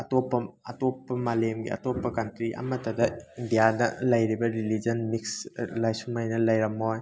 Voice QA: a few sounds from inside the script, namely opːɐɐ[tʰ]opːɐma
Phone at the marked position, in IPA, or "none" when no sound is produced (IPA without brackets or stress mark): t